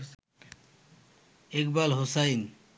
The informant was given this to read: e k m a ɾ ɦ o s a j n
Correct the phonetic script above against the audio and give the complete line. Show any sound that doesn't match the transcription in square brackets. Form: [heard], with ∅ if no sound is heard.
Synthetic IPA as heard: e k [b] a [l] ɦ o s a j n